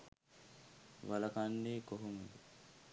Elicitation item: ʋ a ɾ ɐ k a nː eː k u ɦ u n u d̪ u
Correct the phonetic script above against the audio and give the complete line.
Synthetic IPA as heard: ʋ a l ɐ k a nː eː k o ɦ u m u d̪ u

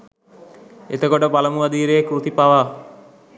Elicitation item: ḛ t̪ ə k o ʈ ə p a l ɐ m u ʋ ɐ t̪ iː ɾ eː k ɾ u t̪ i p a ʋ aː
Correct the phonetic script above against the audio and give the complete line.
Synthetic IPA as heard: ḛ t̪ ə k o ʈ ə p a l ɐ m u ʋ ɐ d̪ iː ɾ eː k ɾ u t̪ i p a ʋ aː

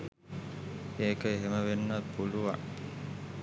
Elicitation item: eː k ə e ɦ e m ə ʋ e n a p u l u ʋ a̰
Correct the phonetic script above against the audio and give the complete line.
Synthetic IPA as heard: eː k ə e ɦ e m ə ʋ e nː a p u l u ʋ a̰

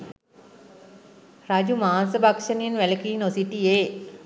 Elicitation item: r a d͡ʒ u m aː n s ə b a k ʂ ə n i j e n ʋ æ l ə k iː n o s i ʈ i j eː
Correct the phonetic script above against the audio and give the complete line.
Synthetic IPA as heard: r a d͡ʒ u m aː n s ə b a k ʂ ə n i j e n ʋ æ l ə k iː n o s i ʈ i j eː

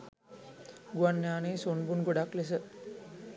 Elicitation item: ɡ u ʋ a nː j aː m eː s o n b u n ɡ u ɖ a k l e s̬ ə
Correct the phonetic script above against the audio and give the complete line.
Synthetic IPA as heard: ɡ u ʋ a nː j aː n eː s o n b u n ɡ o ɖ a k l e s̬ ə

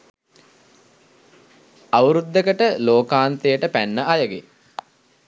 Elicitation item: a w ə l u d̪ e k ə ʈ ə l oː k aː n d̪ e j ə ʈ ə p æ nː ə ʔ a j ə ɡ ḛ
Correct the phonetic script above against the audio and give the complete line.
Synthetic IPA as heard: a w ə ɾ u d̪ː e k ə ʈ ə l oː k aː n t̪ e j ə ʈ ə p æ nː ə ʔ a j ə ɡ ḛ

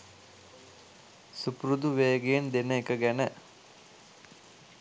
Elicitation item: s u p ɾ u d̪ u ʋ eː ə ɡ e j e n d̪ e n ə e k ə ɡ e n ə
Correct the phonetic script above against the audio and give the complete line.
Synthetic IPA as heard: s u p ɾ u d̪ u ʋ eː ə ɡ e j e n d̪ e n ə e k ə ɡ æ n ə

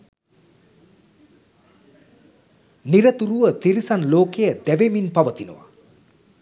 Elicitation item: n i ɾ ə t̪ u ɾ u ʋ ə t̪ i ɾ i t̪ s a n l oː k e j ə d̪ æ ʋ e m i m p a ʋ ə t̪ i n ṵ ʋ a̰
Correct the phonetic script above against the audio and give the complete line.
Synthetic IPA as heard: n i ɾ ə t̪ u ɾ u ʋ ə t̪ i ɾ i s a n l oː k e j ə d̪ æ ʋ e m i n p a ʋ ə t̪ i n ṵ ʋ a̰

